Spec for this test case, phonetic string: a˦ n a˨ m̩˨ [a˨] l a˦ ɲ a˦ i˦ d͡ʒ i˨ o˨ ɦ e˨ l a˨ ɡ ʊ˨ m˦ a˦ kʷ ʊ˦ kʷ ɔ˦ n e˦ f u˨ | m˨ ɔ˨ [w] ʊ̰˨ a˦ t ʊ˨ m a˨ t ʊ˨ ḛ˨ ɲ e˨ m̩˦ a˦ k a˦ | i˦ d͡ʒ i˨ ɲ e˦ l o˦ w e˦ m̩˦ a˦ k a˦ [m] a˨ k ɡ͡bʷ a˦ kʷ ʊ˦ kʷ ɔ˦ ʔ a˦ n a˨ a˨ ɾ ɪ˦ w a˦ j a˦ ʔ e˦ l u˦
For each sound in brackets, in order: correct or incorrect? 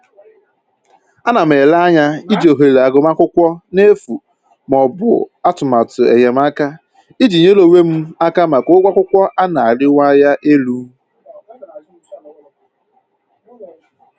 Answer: incorrect: e˨, incorrect: b, correct

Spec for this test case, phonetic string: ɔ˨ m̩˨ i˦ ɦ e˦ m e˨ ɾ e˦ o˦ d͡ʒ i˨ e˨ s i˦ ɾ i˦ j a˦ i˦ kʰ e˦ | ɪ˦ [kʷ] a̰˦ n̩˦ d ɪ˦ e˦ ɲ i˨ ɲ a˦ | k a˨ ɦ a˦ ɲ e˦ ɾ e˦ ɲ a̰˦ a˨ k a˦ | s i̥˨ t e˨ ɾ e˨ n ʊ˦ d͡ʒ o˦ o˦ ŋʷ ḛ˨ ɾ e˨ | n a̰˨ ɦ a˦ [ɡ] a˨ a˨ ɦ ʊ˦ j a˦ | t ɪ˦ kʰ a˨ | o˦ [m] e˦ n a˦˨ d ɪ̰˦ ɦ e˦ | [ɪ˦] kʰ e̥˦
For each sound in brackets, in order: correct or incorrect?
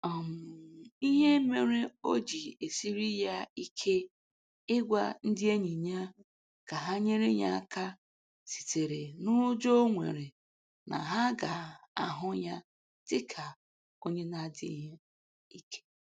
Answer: incorrect: ɡʷ, correct, incorrect: ɲ, incorrect: i˦

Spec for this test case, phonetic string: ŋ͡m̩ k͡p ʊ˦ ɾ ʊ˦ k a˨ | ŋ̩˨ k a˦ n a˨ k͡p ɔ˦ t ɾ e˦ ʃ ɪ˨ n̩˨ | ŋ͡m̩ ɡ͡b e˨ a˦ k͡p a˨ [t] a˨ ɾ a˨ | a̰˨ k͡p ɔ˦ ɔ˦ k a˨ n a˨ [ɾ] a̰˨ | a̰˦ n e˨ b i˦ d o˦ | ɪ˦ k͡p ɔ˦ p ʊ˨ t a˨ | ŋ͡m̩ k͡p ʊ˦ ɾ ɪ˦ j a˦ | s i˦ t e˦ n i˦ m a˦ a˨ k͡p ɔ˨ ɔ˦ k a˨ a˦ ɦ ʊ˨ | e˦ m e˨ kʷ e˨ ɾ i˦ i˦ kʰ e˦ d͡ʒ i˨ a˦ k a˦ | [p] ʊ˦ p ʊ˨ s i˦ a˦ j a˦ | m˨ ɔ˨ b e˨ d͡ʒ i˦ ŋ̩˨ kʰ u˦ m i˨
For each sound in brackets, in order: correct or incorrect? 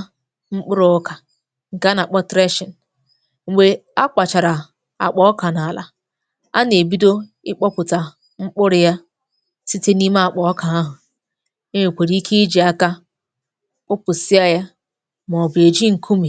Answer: incorrect: t͡ʃ, incorrect: l, incorrect: k͡p

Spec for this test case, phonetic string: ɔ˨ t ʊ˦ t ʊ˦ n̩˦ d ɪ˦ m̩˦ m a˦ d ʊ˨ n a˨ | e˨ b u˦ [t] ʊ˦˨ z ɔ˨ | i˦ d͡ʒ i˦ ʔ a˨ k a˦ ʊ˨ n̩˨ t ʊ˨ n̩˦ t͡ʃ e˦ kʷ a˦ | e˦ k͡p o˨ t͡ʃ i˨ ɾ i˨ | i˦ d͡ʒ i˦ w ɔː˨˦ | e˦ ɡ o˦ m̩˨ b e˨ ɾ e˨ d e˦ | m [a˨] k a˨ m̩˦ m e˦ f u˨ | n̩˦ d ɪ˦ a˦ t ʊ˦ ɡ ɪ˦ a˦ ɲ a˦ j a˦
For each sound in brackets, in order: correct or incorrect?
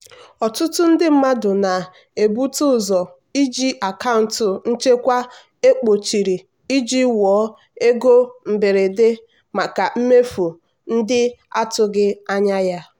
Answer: correct, correct

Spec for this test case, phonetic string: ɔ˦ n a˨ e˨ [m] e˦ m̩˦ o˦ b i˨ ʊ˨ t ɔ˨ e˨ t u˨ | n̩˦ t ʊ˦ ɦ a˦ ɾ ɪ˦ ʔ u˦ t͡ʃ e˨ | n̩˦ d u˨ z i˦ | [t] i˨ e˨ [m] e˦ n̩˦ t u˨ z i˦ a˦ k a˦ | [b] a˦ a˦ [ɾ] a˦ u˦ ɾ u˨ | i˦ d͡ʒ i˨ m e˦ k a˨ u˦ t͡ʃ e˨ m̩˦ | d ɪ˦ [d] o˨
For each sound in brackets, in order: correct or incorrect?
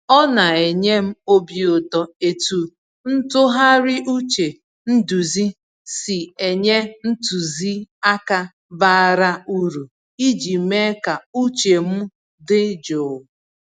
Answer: incorrect: ɲ, incorrect: s, incorrect: ɲ, correct, correct, incorrect: d͡ʒ

